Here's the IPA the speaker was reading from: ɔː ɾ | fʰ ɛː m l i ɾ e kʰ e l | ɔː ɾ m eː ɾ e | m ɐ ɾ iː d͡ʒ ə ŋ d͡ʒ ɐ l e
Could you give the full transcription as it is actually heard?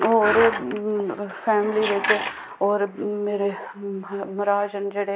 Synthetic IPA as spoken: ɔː ɾ | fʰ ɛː m l i ɾ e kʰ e | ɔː ɾ m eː ɾ e | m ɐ ɾ aː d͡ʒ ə n d͡ʒ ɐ ɽ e